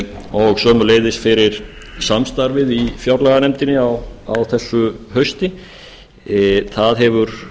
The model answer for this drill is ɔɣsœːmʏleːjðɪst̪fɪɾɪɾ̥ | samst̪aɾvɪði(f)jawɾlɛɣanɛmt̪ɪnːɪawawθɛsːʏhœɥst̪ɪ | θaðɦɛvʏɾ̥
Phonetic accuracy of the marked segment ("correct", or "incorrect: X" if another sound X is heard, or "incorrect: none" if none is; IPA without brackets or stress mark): correct